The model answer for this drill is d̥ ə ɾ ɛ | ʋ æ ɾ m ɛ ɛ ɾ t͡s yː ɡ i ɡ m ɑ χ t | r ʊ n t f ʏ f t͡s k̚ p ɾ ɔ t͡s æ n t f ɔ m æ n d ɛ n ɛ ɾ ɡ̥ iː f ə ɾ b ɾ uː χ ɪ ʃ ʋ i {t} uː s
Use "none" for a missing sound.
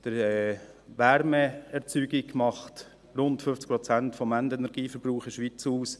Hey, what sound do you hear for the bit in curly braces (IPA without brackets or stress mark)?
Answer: t͡s